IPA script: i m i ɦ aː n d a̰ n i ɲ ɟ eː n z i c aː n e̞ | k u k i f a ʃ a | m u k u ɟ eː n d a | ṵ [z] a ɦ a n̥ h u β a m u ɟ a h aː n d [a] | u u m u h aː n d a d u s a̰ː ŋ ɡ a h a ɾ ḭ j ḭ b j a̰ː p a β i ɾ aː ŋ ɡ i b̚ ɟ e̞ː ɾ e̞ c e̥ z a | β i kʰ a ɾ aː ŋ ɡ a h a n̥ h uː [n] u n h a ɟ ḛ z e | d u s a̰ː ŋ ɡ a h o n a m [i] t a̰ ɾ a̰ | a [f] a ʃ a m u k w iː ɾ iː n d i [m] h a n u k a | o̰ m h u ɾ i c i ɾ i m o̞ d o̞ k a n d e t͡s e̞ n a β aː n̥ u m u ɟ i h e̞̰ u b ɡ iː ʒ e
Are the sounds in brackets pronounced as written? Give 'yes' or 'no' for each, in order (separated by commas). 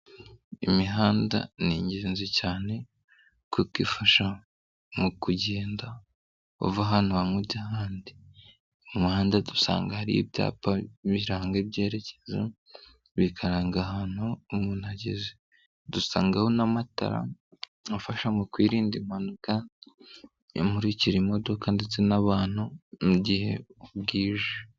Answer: no, no, no, no, yes, yes